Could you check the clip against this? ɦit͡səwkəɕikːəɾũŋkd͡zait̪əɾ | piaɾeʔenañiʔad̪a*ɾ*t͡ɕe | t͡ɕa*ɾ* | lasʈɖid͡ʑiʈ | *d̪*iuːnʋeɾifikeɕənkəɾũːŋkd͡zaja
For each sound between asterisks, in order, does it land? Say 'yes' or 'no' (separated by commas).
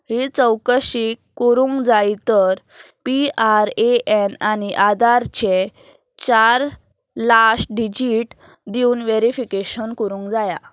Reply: yes, yes, yes